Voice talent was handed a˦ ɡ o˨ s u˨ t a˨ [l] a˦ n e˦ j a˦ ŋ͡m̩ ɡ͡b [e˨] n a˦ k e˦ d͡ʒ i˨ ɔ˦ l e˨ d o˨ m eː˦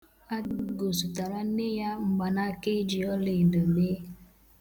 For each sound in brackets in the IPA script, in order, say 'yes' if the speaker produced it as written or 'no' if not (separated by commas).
no, no